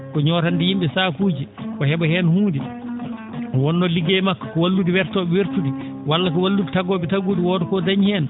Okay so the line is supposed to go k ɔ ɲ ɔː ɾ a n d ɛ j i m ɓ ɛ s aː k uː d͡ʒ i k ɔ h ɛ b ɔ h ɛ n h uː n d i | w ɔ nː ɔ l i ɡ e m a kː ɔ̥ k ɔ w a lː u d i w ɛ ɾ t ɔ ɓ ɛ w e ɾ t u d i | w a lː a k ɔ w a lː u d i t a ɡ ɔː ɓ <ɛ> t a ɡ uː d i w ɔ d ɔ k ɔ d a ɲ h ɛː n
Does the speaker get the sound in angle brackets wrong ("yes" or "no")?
no